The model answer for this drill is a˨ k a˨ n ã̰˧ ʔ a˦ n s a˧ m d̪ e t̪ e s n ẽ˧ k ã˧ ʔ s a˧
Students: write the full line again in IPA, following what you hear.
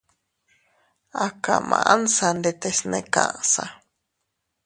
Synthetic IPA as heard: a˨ k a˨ m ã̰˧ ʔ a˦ n s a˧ n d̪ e t̪ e s n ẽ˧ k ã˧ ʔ s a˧